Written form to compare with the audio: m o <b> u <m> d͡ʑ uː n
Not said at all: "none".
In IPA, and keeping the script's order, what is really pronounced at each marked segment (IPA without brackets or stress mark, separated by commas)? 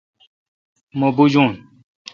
b, none